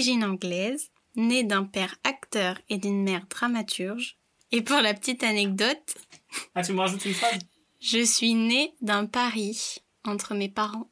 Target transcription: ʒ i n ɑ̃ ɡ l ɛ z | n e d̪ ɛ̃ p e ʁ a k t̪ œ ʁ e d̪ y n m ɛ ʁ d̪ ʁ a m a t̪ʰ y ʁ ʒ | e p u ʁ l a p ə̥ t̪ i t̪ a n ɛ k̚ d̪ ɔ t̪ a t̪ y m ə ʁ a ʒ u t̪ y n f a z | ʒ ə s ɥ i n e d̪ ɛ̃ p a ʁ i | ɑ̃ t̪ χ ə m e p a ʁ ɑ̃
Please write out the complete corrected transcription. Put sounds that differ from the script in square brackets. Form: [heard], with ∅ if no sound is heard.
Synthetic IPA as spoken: ʒ i n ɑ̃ ɡ l ɛ z | n e d̪ ɛ̃ p [ɛ] ʁ a k t̪ œ ʁ e d̪ y n m ɛ ʁ d̪ ʁ a m a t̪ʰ y ʁ ʒ | e p u ʁ l a p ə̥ t̪ i t̪ a n ɛ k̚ d̪ ɔ t̪ a t̪ y m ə ʁ a ʒ u t̪ y n f a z | ʒ ə s ɥ i n e d̪ ɛ̃ p a ʁ i | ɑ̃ t̪ χ ə m e p a ʁ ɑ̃